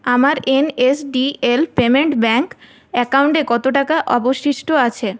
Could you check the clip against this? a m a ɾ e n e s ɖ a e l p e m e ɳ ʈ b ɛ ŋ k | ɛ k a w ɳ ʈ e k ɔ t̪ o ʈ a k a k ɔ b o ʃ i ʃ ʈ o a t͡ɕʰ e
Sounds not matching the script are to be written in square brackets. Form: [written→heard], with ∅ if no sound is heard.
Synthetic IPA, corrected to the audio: a m a ɾ e n e s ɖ [a→i] e l p e m e ɳ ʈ b ɛ ŋ k | ɛ k a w ɳ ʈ e k ɔ t̪ o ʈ a k a [k→ʔ] ɔ b o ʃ i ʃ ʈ o a t͡ɕʰ e